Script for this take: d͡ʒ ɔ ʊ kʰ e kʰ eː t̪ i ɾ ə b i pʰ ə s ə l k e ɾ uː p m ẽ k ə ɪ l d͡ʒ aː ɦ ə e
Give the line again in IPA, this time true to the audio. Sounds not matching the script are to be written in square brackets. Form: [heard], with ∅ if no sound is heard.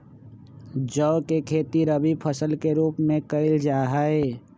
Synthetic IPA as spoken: d͡ʒ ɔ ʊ [k] e kʰ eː t̪ i ɾ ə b i pʰ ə s ə l k e ɾ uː p m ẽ k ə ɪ l d͡ʒ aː ɦ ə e